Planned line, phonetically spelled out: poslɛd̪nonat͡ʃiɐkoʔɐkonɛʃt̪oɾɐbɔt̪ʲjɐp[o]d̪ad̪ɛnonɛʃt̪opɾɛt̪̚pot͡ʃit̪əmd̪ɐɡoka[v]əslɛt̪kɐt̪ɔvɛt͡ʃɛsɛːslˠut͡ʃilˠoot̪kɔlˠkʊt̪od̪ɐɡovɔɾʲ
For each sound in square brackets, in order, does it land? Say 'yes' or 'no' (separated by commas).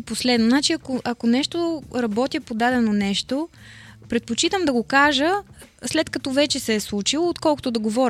yes, no